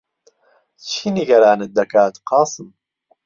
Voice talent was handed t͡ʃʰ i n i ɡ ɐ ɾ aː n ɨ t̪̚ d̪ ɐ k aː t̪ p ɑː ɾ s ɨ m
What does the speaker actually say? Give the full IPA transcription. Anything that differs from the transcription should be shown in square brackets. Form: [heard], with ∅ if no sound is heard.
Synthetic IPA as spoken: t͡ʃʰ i n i ɡ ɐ ɾ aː n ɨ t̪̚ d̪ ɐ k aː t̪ [q] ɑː [∅] s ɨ m